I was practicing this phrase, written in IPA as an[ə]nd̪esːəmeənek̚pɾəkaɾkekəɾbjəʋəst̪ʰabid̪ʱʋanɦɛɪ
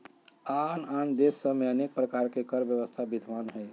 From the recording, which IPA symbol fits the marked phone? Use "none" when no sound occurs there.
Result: a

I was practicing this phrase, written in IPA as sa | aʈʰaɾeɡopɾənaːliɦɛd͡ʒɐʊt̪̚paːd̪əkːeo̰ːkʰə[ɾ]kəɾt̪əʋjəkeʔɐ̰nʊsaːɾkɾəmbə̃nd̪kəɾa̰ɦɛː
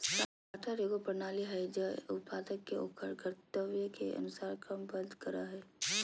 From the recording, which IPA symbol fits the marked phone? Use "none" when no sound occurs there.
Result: ɾ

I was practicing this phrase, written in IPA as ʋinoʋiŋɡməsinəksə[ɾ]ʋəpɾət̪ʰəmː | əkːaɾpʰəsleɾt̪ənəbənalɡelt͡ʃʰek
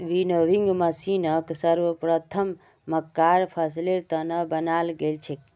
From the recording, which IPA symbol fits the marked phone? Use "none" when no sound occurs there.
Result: ɾ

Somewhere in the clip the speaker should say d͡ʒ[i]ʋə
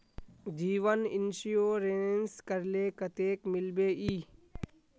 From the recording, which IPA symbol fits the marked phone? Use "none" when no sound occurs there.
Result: iː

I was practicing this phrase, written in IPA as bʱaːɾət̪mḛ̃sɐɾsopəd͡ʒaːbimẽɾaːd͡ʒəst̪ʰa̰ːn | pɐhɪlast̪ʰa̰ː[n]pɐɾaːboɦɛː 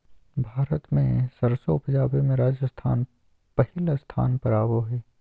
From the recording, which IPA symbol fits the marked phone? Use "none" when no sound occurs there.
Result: n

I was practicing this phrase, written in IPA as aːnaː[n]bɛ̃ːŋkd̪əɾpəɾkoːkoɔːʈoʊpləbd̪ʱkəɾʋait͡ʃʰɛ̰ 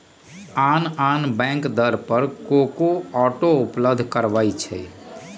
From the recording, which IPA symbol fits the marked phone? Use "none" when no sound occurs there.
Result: n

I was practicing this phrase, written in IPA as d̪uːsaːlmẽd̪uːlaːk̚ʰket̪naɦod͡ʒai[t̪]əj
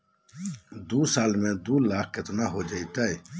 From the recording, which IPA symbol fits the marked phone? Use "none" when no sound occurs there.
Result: t̪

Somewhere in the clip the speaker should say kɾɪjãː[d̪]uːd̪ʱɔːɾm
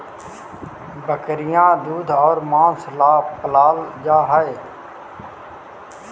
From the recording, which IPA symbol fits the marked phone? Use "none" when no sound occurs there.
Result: d̪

